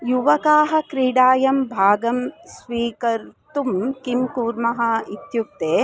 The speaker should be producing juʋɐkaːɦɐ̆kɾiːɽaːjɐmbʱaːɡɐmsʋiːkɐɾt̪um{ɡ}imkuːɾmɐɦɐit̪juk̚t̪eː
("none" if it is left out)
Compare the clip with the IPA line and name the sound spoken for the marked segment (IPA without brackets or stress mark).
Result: k